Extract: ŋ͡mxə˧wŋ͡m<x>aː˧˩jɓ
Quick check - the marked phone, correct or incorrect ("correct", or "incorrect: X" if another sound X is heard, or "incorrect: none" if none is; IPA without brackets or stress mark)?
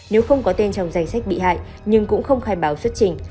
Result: correct